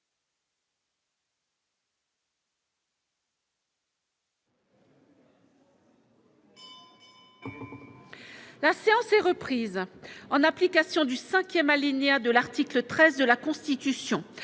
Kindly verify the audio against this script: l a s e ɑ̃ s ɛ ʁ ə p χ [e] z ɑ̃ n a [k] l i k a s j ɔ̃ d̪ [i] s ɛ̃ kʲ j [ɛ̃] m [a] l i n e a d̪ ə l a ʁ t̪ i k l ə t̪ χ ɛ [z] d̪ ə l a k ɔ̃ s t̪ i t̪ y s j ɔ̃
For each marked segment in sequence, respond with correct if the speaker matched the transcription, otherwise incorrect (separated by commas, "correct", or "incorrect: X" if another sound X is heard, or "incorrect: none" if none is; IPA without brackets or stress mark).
incorrect: i, incorrect: p, incorrect: y, incorrect: ɛ, correct, correct